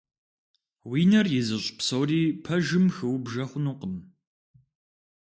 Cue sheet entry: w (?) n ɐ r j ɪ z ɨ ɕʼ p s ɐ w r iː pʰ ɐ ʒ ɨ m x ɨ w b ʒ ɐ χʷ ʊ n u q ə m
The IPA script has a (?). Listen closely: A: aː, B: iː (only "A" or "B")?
B